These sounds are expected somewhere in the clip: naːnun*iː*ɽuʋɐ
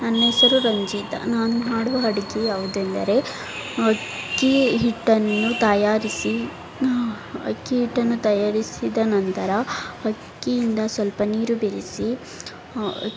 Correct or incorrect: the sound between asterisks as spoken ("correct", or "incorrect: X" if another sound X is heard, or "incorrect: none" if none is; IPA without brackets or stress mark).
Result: incorrect: aː